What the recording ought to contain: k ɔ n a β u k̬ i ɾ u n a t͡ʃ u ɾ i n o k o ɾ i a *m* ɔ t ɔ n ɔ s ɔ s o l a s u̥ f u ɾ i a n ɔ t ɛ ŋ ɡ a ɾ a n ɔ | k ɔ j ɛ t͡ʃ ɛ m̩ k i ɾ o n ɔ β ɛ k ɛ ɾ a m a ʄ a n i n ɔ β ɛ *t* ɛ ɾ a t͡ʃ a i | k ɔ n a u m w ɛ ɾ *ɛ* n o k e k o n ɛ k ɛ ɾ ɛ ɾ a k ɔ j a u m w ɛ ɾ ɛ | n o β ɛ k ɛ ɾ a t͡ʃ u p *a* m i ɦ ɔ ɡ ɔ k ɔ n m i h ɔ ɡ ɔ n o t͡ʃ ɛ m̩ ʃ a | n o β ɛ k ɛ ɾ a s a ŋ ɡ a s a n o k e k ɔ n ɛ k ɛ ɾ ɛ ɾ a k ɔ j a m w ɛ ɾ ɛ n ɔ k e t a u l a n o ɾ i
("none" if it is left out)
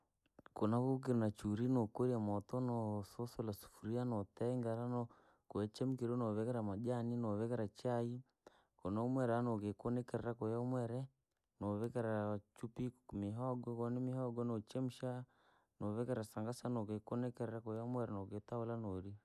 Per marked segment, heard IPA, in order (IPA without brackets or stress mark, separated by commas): m, k, a, i